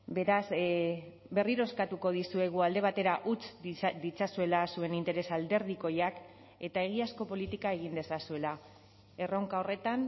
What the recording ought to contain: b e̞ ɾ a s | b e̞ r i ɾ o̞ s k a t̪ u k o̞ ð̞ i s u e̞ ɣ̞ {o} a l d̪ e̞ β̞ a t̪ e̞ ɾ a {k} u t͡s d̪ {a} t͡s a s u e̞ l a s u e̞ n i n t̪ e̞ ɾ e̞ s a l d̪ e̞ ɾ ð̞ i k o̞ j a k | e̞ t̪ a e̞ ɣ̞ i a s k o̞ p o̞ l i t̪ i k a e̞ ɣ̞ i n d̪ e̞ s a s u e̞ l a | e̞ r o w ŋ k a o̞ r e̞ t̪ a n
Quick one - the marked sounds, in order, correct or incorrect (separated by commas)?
incorrect, incorrect, incorrect